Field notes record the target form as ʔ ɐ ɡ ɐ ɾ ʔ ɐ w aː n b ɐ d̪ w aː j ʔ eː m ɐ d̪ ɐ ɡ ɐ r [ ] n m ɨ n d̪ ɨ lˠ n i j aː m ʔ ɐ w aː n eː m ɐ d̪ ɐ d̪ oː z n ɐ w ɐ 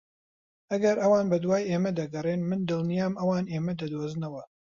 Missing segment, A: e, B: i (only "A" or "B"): A